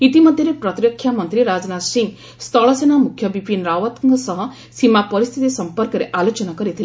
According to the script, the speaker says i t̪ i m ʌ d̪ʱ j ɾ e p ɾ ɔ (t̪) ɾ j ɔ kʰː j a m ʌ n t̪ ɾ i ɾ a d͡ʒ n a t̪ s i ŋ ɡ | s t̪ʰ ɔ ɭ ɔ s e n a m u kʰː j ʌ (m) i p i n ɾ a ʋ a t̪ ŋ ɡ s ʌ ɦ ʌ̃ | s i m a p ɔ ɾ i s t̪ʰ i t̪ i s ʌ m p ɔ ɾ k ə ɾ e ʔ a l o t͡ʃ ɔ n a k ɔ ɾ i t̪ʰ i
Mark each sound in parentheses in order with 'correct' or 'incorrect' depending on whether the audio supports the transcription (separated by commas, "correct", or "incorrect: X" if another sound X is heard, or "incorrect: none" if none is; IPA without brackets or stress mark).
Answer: correct, incorrect: b